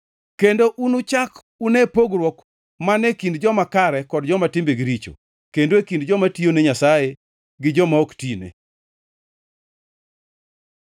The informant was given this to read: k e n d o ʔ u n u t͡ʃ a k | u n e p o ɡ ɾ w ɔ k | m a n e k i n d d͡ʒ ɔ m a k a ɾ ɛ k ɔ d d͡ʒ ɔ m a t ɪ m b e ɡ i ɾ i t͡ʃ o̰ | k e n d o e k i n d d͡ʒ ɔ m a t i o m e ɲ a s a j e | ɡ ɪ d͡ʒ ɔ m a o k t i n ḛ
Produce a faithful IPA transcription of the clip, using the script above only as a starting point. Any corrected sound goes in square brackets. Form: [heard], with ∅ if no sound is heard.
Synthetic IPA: k e n d o ʔ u n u t͡ʃ a k | u n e p o ɡ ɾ w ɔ k | m a n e k i n d d͡ʒ ɔ m a k a ɾ ɛ k ɔ d d͡ʒ ɔ m a t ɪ m b e ɡ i ɾ i t͡ʃ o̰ | k e n d o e k i n d d͡ʒ ɔ m a t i o [n] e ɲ a s a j e | ɡ ɪ d͡ʒ ɔ m a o k t i n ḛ